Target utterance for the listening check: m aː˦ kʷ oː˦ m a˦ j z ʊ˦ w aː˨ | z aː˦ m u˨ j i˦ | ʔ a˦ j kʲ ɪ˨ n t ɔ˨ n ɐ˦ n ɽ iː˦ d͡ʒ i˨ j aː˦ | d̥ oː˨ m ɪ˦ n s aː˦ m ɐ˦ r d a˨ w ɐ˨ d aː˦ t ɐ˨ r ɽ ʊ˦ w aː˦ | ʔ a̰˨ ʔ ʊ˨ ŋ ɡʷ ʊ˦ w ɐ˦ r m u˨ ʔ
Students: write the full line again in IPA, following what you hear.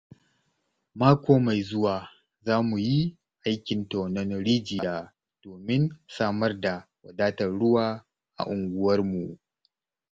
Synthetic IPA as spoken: m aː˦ kʷ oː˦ m a˨ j z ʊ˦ w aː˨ | z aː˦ m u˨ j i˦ | ʔ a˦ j kʲ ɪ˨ n t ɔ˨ n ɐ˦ n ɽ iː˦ d͡ʒ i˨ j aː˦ | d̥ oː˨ m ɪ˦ n s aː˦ m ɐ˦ r d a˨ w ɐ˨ d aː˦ t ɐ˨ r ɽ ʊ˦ w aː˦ | ʔ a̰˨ ʔ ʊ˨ ŋ ɡʷ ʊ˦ w ɐ˦ r m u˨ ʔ